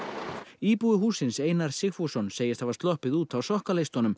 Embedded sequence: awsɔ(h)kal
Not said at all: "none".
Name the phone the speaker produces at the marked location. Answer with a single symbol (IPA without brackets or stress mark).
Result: h